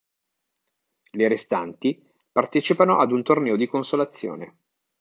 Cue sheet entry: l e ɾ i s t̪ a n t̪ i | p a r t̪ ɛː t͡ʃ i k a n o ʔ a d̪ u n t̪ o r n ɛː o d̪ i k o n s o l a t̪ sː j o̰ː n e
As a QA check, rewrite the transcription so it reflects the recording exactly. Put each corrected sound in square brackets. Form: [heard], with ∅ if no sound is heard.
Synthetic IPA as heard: l e ɾ [e] s t̪ a n t̪ i | p a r t̪ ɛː t͡ʃ i [p] a n o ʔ a d̪ u n t̪ o r n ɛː o d̪ i k o n s o l a t̪ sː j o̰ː n e